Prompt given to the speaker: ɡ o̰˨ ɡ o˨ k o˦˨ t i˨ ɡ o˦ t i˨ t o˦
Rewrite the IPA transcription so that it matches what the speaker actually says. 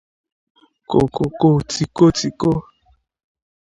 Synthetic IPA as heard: k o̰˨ k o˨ k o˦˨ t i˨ k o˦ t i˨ k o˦